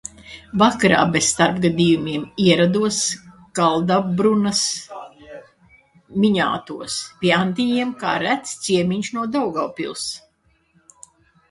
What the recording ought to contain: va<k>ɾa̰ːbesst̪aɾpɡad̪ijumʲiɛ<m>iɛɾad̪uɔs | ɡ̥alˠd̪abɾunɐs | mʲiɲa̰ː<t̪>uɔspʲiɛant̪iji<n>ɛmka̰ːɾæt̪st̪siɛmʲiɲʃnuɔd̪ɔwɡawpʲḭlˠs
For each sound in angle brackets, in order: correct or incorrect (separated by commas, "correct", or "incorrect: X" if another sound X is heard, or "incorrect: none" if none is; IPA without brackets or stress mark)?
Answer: correct, correct, correct, incorrect: none